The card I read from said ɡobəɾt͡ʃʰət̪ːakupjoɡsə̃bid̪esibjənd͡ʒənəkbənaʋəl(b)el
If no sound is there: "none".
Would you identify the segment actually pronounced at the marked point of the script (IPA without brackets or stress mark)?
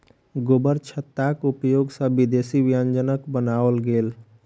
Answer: ɡ